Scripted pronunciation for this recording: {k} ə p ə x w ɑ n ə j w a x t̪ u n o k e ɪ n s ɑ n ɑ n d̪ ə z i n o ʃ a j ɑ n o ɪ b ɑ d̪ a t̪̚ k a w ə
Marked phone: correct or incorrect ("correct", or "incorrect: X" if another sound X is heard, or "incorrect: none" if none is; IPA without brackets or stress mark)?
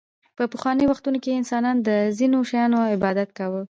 incorrect: p